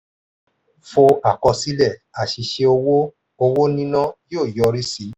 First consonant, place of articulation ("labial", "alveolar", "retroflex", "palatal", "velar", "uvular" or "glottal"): labial